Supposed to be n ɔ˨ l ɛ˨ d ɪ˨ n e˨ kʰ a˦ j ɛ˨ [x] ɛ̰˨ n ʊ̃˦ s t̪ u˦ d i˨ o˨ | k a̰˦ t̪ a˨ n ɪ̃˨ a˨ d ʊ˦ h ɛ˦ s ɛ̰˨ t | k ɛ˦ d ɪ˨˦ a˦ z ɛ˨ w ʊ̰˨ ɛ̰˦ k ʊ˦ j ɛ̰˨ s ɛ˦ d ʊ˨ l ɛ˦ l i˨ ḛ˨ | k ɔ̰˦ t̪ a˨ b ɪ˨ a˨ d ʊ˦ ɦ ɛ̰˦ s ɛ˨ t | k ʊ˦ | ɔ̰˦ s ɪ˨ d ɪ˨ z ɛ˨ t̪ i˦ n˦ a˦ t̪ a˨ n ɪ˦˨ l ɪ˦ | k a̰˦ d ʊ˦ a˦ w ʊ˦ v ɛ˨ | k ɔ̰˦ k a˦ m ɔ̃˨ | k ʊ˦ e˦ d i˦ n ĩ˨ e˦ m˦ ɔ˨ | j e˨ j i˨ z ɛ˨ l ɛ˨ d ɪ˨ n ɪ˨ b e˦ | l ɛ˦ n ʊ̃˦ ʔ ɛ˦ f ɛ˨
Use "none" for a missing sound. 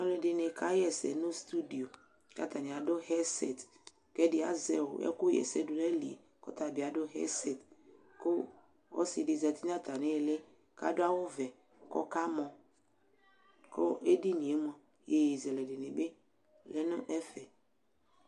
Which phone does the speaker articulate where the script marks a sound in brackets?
s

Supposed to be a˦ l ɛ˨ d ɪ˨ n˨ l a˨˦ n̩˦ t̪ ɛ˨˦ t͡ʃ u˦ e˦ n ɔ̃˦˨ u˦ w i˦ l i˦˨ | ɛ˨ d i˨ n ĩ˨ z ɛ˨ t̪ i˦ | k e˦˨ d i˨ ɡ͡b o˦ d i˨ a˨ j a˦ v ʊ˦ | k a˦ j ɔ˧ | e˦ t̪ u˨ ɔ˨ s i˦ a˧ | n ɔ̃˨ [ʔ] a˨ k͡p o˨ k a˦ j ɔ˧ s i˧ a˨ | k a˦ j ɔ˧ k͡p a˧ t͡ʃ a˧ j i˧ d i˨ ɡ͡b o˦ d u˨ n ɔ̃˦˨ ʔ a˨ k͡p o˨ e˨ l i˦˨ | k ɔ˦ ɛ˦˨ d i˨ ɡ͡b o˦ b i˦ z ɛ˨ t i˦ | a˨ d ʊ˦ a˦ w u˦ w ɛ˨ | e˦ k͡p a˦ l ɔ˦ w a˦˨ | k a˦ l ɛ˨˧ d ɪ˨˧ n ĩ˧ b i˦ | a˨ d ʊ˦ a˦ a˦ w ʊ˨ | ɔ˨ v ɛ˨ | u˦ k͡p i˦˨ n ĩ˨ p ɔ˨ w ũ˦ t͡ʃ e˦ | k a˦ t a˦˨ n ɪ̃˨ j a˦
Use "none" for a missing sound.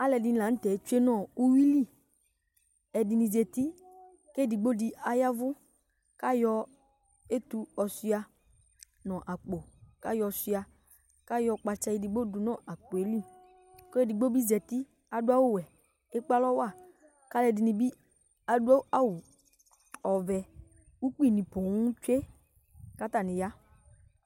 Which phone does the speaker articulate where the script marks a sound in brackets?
ʔ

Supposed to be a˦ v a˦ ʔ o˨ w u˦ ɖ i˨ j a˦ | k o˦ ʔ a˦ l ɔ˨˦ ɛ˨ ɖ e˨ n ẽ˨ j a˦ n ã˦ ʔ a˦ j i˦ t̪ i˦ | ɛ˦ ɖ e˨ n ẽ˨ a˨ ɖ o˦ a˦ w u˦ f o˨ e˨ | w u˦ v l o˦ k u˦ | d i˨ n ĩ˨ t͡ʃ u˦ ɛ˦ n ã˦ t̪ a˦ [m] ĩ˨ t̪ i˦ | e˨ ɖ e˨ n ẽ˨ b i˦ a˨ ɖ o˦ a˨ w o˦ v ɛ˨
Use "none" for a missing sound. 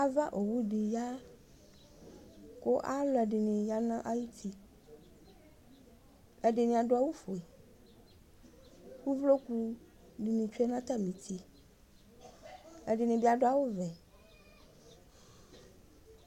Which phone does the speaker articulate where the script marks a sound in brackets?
m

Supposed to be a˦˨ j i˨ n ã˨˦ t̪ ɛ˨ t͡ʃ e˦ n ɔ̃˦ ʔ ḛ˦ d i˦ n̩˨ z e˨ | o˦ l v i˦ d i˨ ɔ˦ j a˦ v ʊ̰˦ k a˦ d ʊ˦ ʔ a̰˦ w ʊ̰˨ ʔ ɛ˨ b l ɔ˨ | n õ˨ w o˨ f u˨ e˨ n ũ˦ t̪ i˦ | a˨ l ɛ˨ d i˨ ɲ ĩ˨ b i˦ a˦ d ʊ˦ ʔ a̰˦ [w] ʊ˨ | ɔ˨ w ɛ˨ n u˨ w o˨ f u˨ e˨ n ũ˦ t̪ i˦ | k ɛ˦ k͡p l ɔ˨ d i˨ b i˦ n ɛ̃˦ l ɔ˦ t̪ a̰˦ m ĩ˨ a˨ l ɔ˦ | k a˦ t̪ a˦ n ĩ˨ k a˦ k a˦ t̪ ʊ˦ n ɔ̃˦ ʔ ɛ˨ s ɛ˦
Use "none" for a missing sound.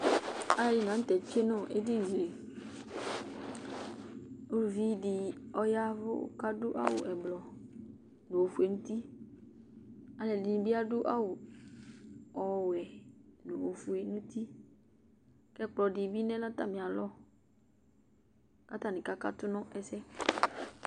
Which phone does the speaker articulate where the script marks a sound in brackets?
w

